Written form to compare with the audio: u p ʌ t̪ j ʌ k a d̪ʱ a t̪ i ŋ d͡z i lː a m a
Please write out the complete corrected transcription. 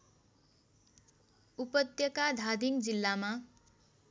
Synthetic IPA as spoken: u p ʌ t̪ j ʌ k a d̪ʱ a d̪ i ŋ d͡z i lː a m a